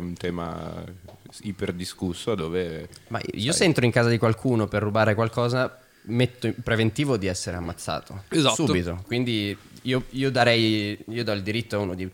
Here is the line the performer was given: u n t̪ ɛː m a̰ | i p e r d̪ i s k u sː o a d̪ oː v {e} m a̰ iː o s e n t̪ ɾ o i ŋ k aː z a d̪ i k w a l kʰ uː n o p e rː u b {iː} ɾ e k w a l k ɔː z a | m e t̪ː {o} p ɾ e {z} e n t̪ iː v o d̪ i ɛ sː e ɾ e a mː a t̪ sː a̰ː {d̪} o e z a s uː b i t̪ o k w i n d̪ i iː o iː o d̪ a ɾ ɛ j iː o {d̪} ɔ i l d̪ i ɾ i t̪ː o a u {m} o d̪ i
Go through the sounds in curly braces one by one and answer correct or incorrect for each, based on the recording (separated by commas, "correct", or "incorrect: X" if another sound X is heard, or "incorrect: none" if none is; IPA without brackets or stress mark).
correct, incorrect: aː, correct, incorrect: v, incorrect: t̪, correct, incorrect: n